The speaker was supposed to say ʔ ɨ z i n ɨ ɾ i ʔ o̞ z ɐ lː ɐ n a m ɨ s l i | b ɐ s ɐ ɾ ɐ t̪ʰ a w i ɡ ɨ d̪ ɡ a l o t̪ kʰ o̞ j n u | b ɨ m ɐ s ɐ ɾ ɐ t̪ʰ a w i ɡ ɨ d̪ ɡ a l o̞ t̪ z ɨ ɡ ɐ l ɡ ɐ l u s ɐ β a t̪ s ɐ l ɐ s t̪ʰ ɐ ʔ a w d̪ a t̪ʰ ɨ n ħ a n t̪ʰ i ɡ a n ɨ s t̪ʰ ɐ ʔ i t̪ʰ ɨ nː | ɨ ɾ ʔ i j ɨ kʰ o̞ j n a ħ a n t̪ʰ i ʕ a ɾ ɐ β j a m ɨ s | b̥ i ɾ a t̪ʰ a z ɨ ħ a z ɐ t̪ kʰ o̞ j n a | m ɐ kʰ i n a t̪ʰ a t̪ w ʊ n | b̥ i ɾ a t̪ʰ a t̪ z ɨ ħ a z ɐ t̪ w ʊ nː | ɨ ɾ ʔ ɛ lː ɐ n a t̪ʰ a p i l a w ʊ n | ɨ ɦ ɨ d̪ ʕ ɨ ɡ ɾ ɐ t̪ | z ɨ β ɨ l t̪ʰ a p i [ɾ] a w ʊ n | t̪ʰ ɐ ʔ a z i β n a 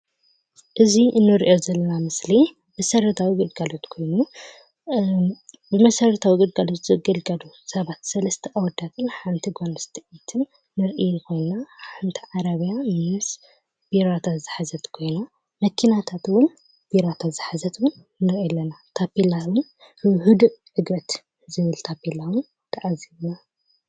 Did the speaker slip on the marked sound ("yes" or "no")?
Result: yes